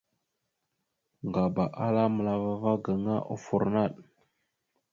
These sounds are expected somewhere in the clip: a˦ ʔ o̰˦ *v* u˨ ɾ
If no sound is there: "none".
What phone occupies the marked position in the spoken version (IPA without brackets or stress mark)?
f